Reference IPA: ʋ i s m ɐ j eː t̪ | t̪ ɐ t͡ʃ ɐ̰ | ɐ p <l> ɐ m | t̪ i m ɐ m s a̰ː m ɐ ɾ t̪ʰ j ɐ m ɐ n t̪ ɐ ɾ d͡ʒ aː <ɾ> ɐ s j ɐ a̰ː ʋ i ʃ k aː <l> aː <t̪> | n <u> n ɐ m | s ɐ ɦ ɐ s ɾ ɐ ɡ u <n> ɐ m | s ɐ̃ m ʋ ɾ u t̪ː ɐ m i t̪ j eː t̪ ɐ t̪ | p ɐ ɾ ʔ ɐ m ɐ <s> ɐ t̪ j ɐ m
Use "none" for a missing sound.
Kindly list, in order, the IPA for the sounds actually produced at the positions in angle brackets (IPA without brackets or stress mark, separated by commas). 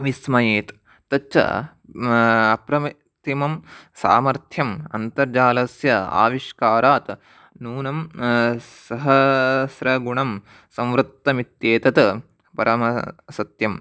ɾ, l, ɾ, t̪, uː, ɳ, s